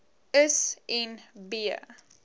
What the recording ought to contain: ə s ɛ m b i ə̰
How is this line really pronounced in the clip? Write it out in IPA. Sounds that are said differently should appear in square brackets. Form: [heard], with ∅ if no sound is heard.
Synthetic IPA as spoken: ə s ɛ [n] b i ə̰